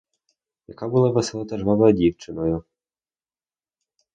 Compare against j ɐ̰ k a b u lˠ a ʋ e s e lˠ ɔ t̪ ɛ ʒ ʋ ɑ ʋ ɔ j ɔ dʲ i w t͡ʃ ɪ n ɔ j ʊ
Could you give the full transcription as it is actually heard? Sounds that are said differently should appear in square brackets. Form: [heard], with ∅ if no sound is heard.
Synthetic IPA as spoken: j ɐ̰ k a b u lˠ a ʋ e s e lˠ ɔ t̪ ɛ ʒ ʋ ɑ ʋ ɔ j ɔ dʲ i w t͡ʃ ɪ n ɔ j ʊ